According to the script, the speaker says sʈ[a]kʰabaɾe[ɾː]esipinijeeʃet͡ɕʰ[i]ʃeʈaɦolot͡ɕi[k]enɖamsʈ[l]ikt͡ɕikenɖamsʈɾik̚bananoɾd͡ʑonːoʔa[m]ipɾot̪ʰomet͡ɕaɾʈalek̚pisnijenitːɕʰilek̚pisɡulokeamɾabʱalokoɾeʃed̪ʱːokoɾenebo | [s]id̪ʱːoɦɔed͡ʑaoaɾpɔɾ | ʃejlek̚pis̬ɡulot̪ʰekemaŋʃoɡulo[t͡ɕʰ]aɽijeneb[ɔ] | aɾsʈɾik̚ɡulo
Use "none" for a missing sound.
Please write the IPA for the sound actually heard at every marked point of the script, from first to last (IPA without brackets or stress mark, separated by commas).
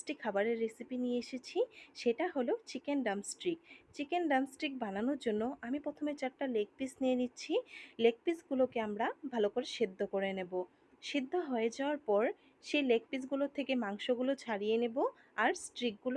i, ɾː, i, k, ɾ, m, ʃ, t͡ɕʰ, o